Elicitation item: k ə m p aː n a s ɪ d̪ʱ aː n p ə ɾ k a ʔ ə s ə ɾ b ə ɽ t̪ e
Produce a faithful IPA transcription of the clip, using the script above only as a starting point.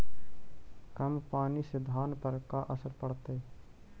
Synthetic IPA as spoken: k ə m p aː n i s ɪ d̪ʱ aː n p ə ɾ k a ʔ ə s ə ɾ p ə ɽ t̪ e